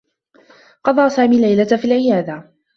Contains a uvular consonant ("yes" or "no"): yes